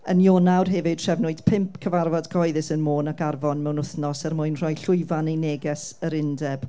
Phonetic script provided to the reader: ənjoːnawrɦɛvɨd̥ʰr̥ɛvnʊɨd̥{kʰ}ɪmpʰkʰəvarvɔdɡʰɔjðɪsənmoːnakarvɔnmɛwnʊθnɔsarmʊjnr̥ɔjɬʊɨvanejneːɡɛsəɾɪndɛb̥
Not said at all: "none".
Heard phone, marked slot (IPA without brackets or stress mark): pʰ